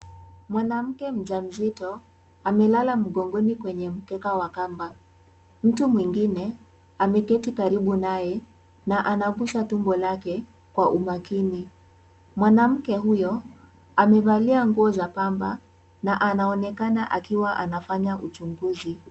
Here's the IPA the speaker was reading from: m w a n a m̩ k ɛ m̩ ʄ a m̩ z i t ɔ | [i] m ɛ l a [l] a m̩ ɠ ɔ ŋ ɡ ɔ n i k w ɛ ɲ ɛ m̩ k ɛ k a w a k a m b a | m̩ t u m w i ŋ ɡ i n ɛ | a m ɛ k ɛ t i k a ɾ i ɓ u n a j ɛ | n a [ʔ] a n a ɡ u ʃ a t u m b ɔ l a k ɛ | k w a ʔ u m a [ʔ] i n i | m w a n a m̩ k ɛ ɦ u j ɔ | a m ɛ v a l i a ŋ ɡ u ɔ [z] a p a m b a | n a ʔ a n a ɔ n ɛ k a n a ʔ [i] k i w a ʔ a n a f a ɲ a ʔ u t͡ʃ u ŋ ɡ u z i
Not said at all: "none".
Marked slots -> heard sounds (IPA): a, l, ʔ, k, z, a

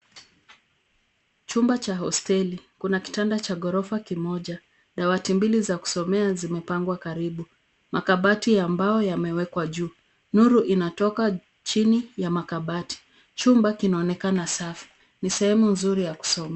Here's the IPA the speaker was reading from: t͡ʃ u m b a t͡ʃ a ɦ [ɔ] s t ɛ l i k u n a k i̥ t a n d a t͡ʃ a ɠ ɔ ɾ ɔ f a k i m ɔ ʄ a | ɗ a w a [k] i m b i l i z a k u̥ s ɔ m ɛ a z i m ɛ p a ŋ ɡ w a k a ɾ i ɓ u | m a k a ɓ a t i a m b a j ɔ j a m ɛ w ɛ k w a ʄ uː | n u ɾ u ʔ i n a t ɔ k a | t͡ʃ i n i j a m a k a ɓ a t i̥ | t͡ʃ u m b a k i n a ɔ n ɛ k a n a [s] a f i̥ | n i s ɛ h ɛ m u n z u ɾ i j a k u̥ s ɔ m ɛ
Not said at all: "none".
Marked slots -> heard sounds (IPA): ɔ, t, s

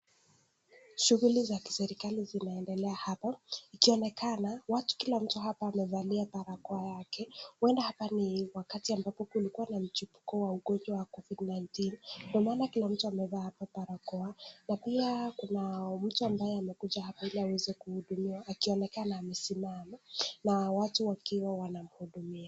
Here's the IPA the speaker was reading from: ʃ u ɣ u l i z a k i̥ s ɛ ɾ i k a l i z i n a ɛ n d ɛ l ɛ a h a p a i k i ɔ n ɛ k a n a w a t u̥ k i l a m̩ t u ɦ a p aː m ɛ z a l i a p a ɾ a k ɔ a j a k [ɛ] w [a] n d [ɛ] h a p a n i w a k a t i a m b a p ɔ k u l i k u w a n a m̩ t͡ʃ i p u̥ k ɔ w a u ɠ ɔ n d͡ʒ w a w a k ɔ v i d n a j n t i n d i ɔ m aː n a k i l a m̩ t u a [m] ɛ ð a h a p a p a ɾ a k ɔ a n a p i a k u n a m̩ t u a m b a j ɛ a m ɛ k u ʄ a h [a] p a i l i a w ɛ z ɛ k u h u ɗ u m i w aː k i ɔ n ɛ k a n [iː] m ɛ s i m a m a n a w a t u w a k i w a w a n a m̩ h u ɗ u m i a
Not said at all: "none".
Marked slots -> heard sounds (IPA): ɛ, ɛ, a, m, a, aː

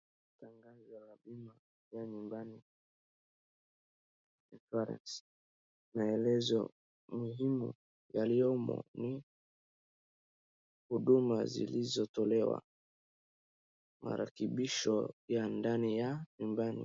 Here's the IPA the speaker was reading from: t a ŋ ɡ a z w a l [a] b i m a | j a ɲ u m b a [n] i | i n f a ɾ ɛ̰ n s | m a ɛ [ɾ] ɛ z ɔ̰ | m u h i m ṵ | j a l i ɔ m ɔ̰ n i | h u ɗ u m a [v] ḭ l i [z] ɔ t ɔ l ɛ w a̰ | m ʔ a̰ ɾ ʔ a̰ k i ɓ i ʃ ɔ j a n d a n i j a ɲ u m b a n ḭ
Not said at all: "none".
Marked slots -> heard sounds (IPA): a, n, l, z, z

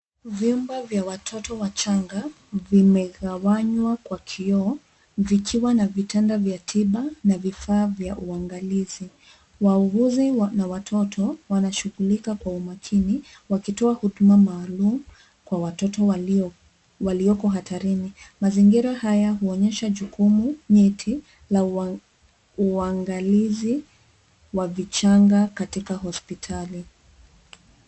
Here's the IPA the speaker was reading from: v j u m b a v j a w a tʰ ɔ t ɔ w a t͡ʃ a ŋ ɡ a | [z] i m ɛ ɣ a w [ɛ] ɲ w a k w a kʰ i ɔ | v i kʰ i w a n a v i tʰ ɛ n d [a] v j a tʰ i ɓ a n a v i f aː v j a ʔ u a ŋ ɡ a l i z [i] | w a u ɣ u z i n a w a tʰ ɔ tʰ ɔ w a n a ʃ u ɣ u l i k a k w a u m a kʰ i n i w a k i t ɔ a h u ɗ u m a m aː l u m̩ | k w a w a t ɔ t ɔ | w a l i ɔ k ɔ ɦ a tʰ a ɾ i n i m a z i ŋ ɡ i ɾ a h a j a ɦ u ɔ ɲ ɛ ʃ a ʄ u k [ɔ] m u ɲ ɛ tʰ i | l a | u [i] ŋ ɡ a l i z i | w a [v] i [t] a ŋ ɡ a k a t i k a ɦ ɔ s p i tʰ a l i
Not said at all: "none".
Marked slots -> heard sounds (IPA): v, a, a, i, u, a, v, t͡ʃ

